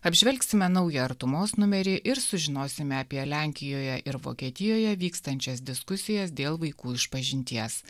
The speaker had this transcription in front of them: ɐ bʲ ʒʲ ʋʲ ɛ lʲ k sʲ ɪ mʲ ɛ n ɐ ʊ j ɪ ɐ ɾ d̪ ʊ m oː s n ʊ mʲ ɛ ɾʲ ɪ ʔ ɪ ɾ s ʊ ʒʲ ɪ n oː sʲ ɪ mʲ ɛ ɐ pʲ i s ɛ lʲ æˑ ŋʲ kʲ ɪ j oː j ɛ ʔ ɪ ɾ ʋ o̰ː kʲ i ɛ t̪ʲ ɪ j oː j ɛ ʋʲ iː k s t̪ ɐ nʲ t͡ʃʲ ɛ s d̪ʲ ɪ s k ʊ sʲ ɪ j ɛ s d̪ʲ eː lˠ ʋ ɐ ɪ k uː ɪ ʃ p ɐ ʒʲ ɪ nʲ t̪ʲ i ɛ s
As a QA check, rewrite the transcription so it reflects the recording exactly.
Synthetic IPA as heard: ɐ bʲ ʒʲ ʋʲ ɛ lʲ k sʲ ɪ mʲ ɛ n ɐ ʊ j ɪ ɐ ɾ t̪ ʊ m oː s n ʊ mʲ ɛ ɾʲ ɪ ʔ ɪ ɾ s ʊ ʒʲ ɪ n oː sʲ ɪ mʲ ɛ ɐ pʲ i ɛ lʲ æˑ ŋʲ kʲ ɪ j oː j ɛ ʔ ɪ ɾ ʋ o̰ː kʲ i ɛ t̪ʲ ɪ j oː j ɛ ʋʲ iː k s t̪ ɐ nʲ t͡ʃʲ ɛ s d̪ʲ ɪ s k ʊ sʲ ɪ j ɛ s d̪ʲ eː lˠ ʋ ɐ ɪ k uː ɪ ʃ p ɐ ʒʲ ɪ nʲ t̪ʲ i ɛ s